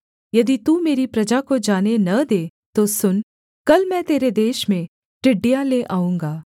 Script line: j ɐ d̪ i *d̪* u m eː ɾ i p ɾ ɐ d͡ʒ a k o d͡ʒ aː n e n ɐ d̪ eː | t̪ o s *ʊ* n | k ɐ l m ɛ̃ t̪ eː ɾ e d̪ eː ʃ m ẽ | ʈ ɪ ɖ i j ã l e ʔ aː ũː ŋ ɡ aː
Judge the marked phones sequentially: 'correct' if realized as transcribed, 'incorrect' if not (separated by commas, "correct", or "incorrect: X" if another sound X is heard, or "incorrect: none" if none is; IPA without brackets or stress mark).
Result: incorrect: t̪, correct